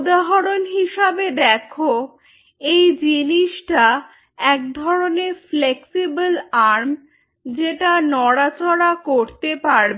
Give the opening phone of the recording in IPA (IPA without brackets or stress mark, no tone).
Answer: d̪